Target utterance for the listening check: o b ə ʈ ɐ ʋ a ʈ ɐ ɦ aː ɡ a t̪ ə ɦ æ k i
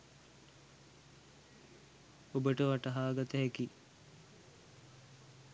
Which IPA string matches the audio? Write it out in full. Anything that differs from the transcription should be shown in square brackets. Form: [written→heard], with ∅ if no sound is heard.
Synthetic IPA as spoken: o b ə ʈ [ɐ→ə] ʋ a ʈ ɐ ɦ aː ɡ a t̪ ə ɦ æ k i

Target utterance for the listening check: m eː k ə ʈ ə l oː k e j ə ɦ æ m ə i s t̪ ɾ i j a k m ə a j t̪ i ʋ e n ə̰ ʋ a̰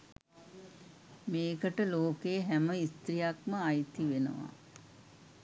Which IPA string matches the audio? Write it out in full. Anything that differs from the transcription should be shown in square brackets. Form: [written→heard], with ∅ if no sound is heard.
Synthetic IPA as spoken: m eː k ə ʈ ə l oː k e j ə ɦ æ m ə i s t̪ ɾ i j a k m ə a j t̪ i ʋ e n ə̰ ʋ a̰

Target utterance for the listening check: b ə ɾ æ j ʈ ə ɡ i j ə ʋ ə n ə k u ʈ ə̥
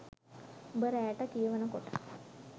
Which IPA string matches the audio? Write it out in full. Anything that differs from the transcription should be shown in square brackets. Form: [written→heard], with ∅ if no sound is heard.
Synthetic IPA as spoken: b ə ɾ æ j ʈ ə [ɡ→k] i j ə ʋ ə n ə k [u→o] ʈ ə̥

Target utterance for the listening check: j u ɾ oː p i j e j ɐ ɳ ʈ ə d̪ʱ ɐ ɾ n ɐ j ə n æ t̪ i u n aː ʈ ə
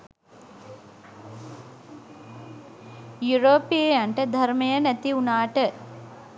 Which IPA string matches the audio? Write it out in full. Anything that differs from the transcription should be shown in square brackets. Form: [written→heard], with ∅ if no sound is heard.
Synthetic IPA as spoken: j u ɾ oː p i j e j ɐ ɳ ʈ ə d̪ʱ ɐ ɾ [n→m] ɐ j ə n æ t̪ i u n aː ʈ ə

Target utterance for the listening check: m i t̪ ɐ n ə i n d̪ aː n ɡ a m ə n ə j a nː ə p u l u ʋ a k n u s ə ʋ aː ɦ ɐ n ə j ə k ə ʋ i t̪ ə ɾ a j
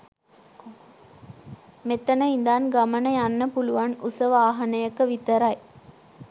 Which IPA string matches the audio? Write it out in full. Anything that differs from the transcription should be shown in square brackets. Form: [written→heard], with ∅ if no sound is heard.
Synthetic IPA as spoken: m [i→e] t̪ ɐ n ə i n d̪ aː n ɡ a m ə n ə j a nː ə p u l u ʋ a [k→∅] n u s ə ʋ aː ɦ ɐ n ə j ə k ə ʋ i t̪ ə ɾ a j

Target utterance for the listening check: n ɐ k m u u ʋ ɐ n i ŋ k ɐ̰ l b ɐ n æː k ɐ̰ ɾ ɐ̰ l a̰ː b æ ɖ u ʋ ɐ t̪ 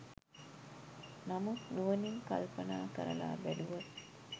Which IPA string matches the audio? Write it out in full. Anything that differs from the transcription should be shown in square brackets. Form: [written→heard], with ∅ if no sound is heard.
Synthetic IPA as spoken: n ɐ [k→∅] m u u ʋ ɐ n i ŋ k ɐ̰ l [b→p] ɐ n [æː→aː] k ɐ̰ ɾ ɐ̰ l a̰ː b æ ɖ u ʋ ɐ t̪

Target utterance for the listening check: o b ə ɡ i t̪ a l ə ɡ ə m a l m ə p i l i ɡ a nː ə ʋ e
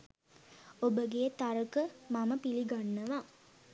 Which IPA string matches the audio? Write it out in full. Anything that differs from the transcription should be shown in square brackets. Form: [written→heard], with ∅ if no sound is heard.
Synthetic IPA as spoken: o b ə ɡ [i→e] t̪ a [l→ɾ] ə [ɡ→k] ə m a [l→∅] m ə p i l i ɡ a nː ə ʋ [e→a]

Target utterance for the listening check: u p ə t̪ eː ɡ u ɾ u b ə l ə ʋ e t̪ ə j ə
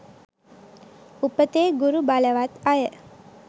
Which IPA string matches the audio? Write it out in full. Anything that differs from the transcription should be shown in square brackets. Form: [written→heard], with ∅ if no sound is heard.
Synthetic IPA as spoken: u p ə t̪ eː ɡ u ɾ u b [ə→a] l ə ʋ [e→a] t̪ [ə→a] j ə

